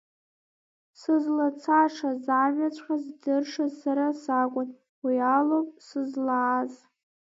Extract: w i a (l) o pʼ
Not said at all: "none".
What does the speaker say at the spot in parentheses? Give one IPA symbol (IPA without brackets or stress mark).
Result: l